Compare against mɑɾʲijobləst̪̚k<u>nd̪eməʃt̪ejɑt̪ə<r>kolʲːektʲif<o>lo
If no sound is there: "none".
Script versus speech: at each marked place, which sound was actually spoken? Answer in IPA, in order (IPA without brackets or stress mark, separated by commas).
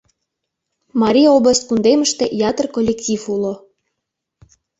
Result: u, r, u